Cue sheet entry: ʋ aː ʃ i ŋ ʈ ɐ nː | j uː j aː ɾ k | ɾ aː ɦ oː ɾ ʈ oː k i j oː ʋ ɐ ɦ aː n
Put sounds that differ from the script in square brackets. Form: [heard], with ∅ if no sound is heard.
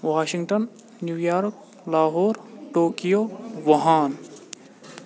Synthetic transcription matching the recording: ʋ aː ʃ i ŋ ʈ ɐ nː | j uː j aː ɾ k | [l] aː ɦ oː ɾ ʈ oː k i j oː ʋ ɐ ɦ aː n